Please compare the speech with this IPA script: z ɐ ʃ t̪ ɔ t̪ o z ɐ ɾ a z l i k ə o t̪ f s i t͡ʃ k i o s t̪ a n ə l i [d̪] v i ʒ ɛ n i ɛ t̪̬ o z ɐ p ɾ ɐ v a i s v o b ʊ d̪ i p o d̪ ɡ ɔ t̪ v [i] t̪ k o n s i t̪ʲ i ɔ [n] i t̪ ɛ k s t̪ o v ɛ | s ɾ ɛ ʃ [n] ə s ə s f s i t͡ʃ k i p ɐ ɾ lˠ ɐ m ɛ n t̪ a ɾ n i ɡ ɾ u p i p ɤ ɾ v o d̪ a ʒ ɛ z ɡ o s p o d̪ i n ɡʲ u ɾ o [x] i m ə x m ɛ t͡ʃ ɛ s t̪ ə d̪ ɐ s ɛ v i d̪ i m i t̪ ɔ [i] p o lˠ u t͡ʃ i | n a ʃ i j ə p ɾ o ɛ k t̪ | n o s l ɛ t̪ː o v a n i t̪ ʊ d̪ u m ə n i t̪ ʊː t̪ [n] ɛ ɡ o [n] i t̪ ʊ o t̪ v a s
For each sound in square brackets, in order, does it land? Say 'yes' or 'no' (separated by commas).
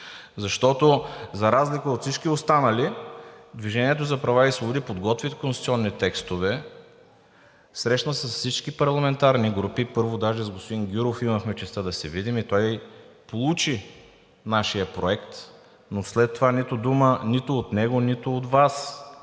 yes, yes, no, yes, no, no, yes, yes